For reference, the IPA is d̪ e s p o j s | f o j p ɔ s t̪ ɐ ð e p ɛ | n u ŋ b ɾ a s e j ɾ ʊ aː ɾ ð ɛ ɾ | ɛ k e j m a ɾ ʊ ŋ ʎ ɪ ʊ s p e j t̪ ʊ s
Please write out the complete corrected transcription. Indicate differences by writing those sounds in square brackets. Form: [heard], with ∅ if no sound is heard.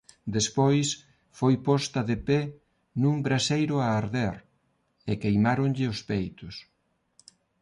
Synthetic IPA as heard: d̪ e s p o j s | f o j p ɔ s t̪ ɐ ð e p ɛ | n u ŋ b ɾ a s e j ɾ ʊ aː ɾ ð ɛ ɾ | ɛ k e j m a ɾ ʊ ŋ ʎ ɪ ʊ s p e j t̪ ʊ s